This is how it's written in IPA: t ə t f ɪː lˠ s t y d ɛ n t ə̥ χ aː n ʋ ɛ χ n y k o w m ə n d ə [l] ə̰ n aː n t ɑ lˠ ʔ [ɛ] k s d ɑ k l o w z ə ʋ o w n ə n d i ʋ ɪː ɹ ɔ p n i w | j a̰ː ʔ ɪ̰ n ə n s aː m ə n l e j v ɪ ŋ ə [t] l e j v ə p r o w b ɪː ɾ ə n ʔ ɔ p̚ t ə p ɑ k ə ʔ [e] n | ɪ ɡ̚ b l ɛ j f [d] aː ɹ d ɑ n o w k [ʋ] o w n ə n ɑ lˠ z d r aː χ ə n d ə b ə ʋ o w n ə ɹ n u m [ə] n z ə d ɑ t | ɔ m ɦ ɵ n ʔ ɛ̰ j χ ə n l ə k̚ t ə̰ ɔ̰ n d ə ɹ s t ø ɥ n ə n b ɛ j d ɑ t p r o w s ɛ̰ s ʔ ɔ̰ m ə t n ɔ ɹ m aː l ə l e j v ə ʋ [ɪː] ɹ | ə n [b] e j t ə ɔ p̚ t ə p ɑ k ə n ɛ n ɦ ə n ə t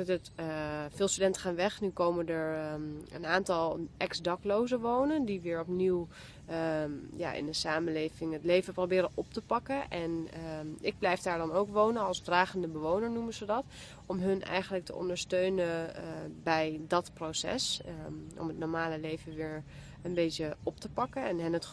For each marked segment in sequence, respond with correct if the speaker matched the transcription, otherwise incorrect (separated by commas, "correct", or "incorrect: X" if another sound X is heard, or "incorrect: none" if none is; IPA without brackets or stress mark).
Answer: incorrect: ɹ, correct, correct, incorrect: ɛ, correct, correct, correct, correct, correct